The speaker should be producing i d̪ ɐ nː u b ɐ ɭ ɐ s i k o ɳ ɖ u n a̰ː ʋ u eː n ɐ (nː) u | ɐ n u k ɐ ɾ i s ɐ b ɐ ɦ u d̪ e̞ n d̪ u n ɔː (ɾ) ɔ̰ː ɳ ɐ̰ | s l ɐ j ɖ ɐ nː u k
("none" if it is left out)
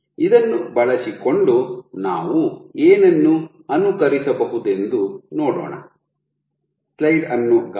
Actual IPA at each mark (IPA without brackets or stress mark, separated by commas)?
nː, ɽ